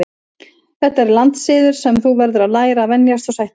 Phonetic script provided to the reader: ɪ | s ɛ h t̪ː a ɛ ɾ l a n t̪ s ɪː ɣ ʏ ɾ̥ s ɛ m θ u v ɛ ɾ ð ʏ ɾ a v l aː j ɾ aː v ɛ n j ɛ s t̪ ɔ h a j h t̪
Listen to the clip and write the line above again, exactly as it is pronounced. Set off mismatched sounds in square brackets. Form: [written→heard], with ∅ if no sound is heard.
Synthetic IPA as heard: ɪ | [s→θ] ɛ h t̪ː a ɛ ɾ l a n t̪ s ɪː [ɣ→ð] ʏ ɾ̥ s ɛ m θ u v ɛ ɾ ð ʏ ɾ a [v→ð] l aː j ɾ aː v ɛ n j [ɛ→a] s t̪ ɔ [h→s] a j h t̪